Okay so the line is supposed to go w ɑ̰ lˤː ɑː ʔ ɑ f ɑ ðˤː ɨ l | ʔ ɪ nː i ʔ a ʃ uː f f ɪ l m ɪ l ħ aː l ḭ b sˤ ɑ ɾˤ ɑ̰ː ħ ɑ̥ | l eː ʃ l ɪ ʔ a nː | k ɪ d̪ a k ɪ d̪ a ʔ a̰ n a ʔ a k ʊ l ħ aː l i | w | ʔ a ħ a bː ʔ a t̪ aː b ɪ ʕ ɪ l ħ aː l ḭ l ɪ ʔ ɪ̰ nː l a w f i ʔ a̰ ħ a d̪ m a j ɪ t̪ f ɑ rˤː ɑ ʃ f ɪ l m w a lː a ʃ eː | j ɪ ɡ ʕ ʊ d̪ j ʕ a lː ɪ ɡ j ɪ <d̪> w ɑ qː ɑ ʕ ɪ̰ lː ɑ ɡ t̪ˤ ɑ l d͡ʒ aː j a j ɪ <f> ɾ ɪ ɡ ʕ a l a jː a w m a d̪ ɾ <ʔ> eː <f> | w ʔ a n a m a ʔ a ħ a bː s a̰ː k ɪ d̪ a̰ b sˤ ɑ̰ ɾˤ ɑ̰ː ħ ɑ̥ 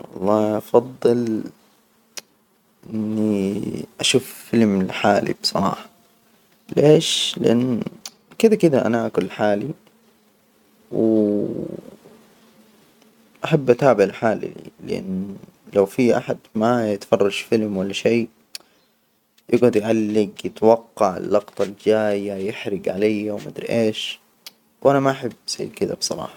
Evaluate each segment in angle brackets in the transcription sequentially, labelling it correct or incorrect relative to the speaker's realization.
incorrect: t̪, incorrect: ħ, correct, incorrect: ʃ

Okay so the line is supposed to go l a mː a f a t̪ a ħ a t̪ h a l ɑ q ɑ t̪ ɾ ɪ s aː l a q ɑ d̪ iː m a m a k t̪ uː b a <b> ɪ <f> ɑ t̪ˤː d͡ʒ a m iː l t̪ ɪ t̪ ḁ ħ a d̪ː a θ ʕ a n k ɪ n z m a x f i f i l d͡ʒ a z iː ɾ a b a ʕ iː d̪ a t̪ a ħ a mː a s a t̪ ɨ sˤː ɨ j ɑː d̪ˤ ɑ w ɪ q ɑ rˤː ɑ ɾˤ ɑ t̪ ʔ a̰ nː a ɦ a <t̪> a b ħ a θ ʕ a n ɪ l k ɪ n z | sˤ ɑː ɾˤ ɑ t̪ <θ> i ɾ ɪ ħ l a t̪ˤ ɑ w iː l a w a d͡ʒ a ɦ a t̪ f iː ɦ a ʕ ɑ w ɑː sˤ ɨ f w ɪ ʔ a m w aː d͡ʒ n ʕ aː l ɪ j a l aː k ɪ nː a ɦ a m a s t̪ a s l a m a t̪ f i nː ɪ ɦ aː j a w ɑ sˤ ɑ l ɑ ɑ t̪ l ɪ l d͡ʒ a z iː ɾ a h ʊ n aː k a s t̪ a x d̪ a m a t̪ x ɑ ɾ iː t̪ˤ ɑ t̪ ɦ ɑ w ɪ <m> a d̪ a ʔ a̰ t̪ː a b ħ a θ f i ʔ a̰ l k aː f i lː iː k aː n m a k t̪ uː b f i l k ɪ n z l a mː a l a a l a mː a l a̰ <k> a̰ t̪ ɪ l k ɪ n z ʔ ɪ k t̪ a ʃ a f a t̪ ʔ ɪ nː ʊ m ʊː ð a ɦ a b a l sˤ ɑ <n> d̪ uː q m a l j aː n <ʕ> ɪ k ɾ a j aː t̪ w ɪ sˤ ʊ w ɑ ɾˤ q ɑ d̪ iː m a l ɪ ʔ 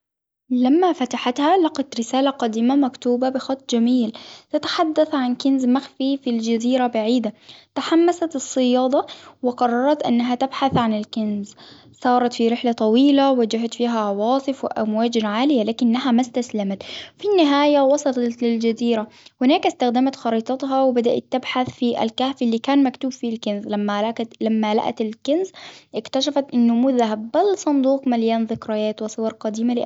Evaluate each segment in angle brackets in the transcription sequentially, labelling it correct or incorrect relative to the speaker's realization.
correct, incorrect: x, correct, incorrect: f, incorrect: b, incorrect: ʔ, correct, incorrect: ð

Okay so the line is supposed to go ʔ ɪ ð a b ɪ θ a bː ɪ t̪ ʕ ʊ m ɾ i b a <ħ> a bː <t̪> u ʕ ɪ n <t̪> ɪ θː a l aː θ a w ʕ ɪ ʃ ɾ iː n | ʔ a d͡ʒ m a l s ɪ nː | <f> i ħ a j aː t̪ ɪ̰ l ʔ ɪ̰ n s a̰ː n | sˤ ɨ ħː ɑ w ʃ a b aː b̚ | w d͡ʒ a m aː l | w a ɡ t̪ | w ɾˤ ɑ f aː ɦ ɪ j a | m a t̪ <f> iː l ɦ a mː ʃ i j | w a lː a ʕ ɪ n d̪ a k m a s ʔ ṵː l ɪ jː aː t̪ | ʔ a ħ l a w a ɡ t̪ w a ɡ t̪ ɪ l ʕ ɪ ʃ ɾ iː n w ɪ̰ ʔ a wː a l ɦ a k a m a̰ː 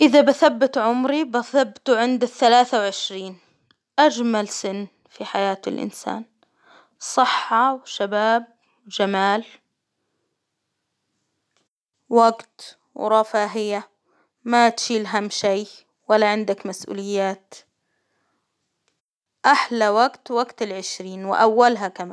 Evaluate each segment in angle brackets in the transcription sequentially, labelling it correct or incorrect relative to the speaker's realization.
incorrect: θ, correct, incorrect: d̪, correct, incorrect: ʃ

